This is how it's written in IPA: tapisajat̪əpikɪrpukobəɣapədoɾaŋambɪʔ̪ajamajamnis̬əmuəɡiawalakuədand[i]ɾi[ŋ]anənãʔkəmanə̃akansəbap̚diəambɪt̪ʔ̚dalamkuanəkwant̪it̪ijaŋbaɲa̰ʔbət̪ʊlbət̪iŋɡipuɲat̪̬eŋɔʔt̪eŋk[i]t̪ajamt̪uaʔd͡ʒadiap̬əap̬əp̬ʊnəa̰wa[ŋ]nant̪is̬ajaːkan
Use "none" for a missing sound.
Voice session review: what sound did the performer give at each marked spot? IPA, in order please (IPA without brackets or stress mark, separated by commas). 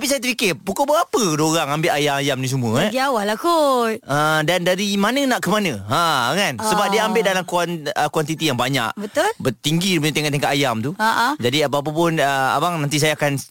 a, m, a, ŋ